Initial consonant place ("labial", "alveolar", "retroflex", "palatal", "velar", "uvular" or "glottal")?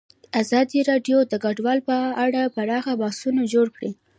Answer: alveolar